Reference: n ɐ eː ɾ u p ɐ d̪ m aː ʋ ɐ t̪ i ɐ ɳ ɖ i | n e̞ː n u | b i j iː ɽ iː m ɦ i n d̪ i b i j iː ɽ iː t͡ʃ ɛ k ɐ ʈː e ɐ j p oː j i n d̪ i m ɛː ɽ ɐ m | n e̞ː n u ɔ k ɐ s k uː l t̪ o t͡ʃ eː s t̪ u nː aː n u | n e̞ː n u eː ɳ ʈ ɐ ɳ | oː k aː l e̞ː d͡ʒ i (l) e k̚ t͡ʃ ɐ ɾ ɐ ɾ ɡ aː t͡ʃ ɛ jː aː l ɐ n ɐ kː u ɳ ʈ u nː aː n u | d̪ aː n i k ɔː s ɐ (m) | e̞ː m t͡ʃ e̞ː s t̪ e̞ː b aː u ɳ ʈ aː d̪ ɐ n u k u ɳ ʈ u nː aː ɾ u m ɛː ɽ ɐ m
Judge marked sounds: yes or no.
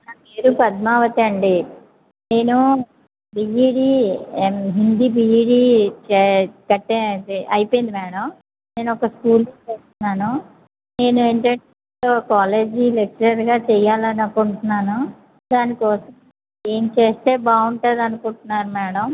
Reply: yes, yes

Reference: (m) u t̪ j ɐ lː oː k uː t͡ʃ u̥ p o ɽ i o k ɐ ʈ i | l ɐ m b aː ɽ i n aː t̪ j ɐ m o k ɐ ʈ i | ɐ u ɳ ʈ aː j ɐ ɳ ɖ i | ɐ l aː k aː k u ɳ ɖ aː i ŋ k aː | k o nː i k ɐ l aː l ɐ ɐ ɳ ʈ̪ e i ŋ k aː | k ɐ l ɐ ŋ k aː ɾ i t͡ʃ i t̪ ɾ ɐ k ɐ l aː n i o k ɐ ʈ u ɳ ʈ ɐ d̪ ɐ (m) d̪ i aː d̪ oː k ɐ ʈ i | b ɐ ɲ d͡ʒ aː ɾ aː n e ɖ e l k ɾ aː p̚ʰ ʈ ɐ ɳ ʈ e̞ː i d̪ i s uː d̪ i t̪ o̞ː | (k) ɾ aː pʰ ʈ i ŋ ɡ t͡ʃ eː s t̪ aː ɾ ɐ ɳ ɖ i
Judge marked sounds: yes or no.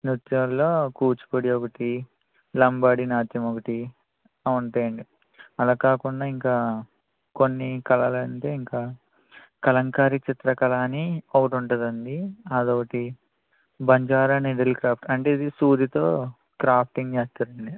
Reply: no, no, yes

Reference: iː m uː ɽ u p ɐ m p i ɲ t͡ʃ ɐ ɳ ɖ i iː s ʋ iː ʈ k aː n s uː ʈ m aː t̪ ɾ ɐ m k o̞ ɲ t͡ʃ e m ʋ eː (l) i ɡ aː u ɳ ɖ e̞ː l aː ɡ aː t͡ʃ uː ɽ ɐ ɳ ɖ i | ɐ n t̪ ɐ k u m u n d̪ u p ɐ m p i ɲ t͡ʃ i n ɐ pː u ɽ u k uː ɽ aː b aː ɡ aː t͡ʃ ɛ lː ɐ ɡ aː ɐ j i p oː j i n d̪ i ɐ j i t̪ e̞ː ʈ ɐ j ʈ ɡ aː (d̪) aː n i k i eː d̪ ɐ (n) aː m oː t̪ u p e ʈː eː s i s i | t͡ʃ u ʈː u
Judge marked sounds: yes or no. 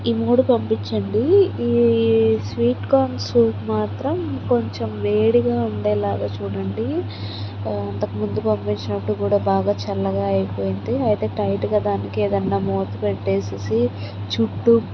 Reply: no, yes, no

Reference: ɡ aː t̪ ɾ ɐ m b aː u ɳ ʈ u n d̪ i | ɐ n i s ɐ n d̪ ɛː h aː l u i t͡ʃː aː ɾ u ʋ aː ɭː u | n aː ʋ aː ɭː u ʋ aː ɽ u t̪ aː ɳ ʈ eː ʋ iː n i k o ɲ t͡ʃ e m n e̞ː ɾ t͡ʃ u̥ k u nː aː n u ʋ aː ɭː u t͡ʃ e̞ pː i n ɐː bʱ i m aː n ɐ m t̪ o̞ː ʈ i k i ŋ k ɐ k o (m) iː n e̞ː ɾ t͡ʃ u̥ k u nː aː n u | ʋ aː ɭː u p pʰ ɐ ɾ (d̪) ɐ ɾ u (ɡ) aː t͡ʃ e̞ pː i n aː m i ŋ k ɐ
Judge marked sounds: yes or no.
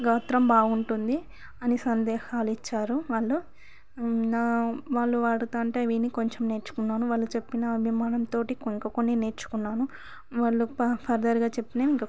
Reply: no, yes, yes

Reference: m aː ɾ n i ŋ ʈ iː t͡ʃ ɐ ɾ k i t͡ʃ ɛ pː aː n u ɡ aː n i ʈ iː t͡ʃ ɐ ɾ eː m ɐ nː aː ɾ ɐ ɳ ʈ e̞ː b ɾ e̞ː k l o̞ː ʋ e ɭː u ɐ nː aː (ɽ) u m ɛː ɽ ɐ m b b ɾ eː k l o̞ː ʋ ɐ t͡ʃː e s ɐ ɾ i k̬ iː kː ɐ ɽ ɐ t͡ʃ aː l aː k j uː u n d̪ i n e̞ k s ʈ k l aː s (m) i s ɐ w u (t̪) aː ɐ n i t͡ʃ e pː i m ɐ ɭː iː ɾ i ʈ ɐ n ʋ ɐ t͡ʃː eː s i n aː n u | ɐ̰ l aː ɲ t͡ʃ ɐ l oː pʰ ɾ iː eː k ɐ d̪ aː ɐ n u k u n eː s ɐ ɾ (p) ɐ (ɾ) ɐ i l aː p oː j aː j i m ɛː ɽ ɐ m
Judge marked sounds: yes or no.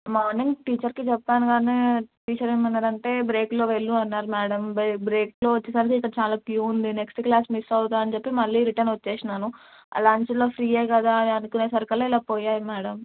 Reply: no, yes, yes, no, no

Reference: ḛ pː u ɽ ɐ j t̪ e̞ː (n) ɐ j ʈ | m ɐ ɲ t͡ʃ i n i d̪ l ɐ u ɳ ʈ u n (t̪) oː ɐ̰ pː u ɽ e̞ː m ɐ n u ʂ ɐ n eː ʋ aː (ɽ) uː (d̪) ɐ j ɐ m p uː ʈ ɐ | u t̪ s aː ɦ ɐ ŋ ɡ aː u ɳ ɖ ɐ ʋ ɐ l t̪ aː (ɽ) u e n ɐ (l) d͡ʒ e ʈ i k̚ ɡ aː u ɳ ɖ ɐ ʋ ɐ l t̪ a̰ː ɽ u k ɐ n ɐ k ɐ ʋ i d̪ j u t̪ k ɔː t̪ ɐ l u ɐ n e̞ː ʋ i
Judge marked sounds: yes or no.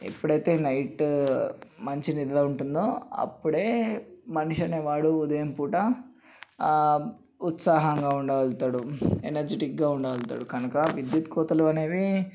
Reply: yes, no, yes, yes, yes, no

